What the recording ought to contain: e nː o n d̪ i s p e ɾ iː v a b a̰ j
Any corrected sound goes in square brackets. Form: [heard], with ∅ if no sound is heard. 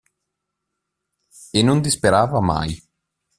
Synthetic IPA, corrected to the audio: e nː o n d̪ i s p e ɾ [aː] v a [m] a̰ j